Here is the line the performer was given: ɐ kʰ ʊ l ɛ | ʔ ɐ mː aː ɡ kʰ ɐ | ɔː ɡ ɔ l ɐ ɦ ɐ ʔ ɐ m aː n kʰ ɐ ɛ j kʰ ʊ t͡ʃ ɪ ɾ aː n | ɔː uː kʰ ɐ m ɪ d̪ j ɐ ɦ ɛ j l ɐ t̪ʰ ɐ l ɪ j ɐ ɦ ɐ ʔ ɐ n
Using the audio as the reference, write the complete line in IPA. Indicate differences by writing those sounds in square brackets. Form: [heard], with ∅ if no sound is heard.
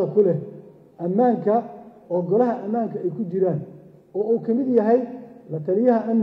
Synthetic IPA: ɐ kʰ ʊ l ɛ | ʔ ɐ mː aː [ŋ] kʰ ɐ | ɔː ɡ ɔ l ɐ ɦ ɐ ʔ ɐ m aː [ŋ] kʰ ɐ ɛ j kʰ ʊ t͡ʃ ɪ ɾ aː n | ɔː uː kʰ ɐ m ɪ d̪ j ɐ ɦ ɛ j l ɐ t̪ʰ ɐ l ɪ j ɐ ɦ ɐ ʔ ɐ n